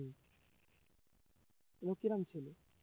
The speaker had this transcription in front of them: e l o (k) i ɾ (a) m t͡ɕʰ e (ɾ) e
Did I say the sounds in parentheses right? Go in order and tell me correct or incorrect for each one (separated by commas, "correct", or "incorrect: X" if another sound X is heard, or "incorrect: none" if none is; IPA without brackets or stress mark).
correct, correct, incorrect: l